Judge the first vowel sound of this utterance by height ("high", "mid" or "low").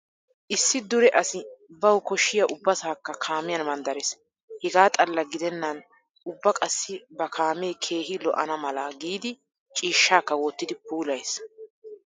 high